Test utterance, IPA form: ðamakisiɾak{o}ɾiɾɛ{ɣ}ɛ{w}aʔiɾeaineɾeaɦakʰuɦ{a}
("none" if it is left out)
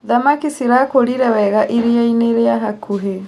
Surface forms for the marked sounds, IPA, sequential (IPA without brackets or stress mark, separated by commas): o, w, ɣ, e